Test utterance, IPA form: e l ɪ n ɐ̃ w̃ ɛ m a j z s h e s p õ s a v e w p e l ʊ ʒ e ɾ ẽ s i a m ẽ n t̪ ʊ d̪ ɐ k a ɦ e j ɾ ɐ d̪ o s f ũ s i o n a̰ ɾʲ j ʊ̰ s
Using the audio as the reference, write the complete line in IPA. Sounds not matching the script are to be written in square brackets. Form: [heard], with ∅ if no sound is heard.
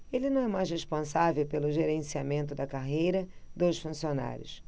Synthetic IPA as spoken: e l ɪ n ɐ̃ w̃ ɛ m a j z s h e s p õ s a v e w p e l ʊ ʒ e ɾ ẽ s i a m ẽ n t̪ ʊ d̪ ɐ k a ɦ e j ɾ ɐ d̪ o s f ũ s i o n a̰ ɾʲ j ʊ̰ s